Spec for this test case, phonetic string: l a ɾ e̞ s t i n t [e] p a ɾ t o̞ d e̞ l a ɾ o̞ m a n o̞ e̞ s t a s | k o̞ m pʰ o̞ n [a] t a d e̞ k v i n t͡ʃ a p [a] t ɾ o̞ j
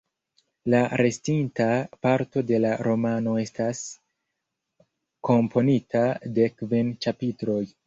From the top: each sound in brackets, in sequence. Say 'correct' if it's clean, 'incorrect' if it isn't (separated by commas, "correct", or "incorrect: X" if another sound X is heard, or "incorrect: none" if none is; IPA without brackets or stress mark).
incorrect: a, incorrect: i, incorrect: i